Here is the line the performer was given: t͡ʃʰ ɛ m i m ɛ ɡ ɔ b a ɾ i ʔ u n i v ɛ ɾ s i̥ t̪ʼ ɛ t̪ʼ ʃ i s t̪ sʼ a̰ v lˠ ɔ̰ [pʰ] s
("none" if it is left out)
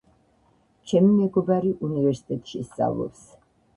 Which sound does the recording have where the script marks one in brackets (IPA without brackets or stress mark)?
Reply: p